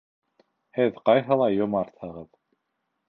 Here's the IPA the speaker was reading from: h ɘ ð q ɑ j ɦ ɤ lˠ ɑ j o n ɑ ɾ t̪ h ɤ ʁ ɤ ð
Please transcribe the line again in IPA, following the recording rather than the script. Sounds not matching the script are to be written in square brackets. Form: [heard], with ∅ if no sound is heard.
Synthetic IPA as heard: h ɘ ð q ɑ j ɦ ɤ lˠ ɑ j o [m] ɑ ɾ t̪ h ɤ ʁ ɤ ð